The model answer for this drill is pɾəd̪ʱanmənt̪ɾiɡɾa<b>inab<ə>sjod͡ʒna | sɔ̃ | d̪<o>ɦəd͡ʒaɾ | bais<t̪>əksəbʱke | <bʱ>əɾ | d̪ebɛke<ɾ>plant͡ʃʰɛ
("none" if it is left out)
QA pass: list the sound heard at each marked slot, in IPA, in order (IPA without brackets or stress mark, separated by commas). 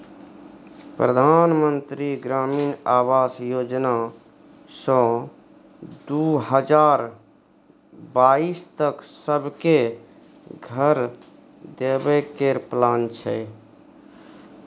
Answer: m, a, u, t̪, ɡʱ, ɾ